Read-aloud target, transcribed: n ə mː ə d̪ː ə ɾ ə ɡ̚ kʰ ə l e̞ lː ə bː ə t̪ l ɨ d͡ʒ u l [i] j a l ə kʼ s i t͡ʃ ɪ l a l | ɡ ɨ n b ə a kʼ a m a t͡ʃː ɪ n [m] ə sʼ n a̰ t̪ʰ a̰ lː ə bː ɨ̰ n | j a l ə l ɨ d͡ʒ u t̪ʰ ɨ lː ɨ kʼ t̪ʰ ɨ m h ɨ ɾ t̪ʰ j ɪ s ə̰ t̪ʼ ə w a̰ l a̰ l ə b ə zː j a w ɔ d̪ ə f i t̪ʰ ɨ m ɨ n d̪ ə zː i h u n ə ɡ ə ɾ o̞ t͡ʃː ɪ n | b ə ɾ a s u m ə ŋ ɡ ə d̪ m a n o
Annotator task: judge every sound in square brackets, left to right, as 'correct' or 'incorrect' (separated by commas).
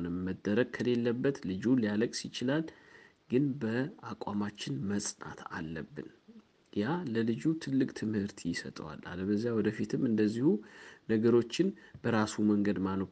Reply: correct, correct